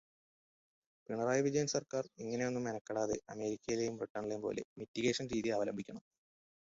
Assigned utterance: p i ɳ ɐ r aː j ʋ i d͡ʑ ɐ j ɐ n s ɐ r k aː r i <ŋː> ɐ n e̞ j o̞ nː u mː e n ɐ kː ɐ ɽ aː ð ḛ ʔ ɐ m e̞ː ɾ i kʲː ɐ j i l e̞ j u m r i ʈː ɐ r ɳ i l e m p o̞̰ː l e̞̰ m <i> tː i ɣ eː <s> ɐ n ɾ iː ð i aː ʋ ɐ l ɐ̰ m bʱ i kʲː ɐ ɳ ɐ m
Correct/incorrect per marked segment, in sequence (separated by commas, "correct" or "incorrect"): correct, correct, incorrect